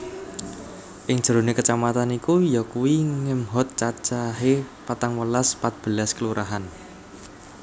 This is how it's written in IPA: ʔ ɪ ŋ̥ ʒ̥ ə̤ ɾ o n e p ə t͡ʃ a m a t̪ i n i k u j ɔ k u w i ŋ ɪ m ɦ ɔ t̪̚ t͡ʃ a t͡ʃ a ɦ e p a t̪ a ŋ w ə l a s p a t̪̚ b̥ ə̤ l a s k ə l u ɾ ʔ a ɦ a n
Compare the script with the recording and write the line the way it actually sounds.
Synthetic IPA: ʔ ɪ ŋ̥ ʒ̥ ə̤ ɾ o n e k ə t͡ʃ a m a t̪ a n i k u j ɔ k u w i ŋ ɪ m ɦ ɔ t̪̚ t͡ʃ a t͡ʃ a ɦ e p a t̪ a ŋ w ə l a s p a t̪̚ b̥ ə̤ l a s k ə l u ɾ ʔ a ɦ a n